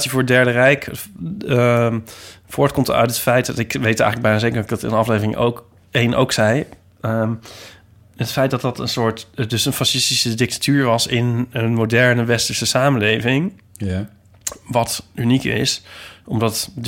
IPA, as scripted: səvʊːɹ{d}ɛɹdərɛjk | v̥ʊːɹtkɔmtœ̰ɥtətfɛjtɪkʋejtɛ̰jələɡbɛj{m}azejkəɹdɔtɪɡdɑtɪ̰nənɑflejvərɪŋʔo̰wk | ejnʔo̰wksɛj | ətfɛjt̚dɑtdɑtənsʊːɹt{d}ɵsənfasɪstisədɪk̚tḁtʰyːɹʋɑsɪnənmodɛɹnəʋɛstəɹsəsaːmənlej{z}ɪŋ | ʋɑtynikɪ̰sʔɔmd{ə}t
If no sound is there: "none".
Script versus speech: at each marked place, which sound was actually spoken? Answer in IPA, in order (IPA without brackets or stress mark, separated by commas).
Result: d, n, d, v, ɑ